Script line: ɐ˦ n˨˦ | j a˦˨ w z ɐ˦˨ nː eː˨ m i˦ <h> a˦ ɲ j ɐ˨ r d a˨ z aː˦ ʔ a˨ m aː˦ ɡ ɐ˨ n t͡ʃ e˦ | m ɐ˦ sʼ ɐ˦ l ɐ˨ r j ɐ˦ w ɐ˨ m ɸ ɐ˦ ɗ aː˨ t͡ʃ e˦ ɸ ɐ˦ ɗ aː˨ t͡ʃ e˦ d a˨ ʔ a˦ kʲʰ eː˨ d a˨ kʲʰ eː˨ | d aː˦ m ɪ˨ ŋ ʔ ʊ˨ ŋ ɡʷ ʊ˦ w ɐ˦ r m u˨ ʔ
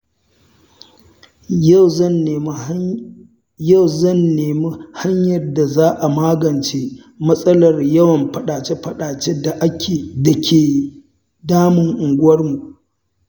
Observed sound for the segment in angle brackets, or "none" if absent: h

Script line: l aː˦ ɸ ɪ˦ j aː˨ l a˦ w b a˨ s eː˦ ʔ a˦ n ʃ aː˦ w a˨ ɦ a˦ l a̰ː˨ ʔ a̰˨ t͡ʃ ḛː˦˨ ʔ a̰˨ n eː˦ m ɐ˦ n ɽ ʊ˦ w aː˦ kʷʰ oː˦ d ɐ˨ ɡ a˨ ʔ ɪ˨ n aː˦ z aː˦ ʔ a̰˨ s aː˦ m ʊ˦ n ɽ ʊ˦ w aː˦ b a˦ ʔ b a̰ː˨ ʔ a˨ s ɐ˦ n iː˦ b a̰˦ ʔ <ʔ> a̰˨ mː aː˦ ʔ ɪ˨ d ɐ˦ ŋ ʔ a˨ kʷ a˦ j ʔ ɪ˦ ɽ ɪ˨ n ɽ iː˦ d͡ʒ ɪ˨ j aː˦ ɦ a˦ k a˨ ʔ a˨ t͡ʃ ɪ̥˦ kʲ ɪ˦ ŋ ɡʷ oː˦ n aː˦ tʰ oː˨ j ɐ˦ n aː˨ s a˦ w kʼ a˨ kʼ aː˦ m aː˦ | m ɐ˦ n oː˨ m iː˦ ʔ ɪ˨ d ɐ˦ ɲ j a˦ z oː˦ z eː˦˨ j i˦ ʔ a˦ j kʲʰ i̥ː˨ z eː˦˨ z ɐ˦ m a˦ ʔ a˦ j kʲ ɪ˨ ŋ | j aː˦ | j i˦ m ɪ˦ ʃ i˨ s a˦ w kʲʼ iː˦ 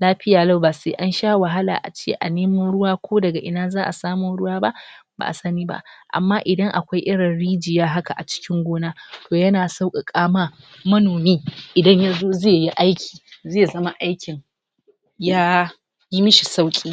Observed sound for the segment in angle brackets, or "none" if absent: ʔ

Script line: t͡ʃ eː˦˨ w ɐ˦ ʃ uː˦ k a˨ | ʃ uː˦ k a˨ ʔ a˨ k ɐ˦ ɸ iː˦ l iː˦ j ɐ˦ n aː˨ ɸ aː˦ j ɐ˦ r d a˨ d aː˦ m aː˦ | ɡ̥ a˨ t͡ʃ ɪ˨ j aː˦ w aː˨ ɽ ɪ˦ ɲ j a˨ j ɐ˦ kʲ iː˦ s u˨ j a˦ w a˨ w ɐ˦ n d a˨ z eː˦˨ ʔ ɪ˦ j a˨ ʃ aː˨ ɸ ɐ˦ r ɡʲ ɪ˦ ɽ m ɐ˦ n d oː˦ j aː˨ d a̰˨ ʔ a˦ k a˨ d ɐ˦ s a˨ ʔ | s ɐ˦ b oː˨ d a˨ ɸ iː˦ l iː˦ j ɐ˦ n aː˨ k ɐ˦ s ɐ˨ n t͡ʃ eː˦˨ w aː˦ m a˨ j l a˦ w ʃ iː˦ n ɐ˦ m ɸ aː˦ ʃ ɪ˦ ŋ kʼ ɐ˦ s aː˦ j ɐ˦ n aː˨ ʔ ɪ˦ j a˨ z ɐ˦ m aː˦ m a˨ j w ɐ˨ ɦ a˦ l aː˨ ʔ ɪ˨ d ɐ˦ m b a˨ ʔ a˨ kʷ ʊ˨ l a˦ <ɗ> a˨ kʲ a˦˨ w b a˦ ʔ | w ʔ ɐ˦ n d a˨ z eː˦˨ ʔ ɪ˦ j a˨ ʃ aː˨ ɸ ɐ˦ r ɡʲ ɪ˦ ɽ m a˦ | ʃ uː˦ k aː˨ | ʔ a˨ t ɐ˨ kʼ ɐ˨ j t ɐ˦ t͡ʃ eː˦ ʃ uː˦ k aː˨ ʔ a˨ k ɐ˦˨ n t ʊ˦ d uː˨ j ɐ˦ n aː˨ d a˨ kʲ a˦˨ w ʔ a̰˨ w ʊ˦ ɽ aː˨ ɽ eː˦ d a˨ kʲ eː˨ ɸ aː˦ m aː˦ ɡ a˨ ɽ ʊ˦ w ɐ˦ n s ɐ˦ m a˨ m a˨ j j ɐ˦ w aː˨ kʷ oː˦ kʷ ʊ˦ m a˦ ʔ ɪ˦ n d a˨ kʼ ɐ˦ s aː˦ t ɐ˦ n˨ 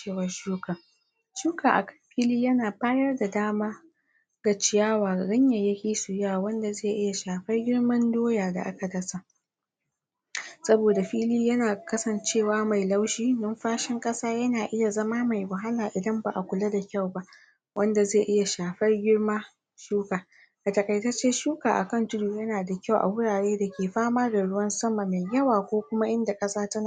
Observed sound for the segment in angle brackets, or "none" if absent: d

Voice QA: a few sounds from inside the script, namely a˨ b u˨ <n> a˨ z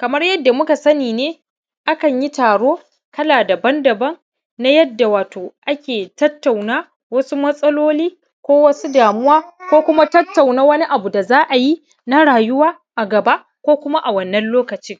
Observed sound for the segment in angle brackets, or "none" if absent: d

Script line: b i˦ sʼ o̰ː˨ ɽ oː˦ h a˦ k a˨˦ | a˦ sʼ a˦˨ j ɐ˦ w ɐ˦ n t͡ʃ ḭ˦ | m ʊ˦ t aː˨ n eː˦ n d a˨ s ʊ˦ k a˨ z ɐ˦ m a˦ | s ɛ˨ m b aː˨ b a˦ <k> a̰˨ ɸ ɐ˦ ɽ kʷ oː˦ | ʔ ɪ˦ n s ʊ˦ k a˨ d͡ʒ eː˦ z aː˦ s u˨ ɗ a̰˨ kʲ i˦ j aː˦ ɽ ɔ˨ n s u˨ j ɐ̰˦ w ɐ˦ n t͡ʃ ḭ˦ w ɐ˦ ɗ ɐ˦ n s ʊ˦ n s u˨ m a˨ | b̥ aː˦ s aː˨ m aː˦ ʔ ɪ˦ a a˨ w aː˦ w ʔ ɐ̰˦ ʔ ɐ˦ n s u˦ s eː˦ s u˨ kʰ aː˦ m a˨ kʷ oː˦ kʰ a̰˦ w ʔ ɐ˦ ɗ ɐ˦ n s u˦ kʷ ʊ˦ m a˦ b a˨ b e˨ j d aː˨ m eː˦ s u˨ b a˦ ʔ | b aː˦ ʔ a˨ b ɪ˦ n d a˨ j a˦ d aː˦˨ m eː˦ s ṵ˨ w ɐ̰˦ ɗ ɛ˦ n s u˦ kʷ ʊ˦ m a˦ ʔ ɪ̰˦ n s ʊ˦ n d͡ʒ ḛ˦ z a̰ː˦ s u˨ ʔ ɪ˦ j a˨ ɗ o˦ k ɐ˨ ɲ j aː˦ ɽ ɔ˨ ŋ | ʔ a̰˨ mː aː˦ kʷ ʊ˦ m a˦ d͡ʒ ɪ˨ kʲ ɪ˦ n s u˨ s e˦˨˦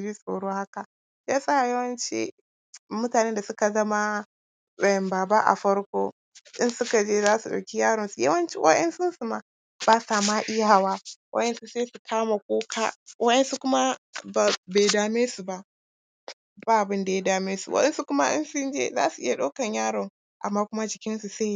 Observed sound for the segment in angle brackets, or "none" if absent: ʔ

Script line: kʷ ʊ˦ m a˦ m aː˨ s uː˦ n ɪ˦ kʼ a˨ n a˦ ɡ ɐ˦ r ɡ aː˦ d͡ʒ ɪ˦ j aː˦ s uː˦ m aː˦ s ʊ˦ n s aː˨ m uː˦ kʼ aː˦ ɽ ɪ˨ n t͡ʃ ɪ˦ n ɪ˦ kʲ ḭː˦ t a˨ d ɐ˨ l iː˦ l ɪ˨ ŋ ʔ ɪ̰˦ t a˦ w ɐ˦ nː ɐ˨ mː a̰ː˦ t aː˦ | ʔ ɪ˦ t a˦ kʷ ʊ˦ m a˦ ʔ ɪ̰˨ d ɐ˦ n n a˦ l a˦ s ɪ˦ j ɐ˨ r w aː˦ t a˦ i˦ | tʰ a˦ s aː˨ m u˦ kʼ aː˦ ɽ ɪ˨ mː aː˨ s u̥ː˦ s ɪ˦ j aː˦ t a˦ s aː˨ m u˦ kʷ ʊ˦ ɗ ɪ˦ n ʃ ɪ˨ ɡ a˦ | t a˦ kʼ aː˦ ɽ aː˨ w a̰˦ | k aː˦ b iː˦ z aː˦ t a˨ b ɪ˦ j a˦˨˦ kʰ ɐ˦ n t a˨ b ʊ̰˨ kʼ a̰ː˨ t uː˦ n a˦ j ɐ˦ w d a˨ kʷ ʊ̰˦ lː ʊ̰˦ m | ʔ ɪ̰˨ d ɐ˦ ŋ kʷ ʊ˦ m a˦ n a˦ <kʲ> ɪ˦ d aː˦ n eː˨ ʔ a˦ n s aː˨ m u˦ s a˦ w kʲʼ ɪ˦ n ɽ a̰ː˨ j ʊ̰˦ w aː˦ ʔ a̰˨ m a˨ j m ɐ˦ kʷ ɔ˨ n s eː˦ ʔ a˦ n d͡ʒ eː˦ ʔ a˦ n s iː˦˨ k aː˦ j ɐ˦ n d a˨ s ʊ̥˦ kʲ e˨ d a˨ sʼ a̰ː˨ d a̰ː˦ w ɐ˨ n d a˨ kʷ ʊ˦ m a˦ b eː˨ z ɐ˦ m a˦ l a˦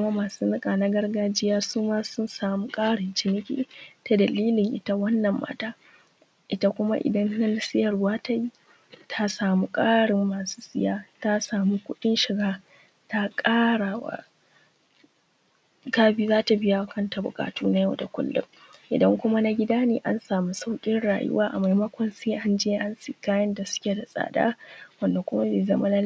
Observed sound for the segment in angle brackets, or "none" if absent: ɡʲ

